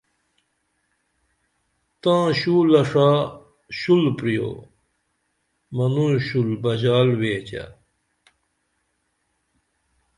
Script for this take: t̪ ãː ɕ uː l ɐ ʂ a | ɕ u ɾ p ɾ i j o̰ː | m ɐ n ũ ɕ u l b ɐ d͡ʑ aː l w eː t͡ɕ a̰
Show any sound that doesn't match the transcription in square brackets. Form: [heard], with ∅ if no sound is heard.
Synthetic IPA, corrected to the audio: t̪ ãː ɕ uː l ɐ ʂ a | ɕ u [l] p ɾ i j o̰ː | m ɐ n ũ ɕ u l b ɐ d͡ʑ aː l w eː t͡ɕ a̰